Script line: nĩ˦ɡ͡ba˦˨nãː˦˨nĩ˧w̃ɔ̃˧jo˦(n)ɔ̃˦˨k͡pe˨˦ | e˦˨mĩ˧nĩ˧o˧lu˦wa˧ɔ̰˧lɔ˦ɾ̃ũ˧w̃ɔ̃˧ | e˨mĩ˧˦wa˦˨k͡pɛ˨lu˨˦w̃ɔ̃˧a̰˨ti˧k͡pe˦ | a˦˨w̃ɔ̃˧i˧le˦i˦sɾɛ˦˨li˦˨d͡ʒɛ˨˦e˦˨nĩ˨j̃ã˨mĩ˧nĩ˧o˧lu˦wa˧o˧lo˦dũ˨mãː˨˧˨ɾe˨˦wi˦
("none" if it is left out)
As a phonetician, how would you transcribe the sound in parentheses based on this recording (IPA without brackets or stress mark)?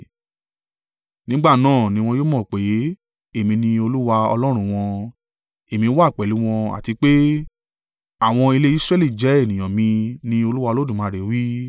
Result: m